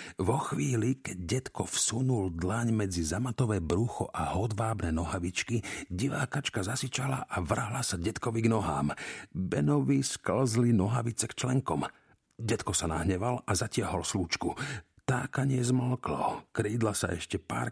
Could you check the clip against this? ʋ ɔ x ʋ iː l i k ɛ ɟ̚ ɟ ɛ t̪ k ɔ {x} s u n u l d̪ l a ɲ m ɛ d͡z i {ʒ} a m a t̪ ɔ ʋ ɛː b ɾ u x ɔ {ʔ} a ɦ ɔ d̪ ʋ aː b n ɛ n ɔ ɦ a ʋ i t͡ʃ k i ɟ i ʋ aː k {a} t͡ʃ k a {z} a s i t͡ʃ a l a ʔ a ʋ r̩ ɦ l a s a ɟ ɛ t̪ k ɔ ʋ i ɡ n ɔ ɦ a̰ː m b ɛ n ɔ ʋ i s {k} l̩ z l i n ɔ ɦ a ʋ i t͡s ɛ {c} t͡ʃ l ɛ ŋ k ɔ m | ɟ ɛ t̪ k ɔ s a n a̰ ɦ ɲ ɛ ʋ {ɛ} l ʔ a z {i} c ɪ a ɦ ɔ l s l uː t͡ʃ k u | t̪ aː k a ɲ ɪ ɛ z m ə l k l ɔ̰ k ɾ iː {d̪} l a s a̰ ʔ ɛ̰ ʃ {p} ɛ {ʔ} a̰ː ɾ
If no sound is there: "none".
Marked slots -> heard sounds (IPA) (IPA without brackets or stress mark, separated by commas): f, z, ʔ, a, z, k, k, a, a, d̪, c, p